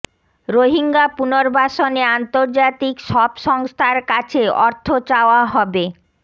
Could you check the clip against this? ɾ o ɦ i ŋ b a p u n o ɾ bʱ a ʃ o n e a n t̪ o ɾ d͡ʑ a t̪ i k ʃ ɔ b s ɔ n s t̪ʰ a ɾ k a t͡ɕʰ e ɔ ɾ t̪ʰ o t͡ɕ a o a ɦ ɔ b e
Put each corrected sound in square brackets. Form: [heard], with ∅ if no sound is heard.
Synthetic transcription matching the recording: ɾ o ɦ i ŋ [ɡ] a p u n o ɾ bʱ a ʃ o n e a n t̪ o ɾ d͡ʑ a t̪ i k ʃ ɔ b [ʃ] ɔ [ŋ] s t̪ʰ a ɾ k a t͡ɕʰ e ɔ ɾ t̪ʰ o t͡ɕ a o a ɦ ɔ b e